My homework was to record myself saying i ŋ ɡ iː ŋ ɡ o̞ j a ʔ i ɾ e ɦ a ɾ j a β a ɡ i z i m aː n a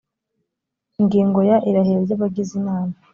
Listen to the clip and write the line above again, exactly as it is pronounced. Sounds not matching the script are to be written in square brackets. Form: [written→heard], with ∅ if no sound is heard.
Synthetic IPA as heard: i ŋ ɡ iː ŋ ɡ o̞ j a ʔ i ɾ [e→a] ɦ [a→e] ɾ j a β a ɡ i z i m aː n a